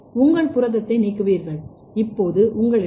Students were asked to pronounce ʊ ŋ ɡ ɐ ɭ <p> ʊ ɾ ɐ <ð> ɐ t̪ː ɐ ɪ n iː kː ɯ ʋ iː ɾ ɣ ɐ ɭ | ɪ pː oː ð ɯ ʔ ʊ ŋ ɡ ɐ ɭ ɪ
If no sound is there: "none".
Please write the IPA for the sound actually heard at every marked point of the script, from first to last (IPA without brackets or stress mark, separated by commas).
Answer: p, ð